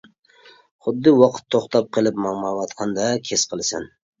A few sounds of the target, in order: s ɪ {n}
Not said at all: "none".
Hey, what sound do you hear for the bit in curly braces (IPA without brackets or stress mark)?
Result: n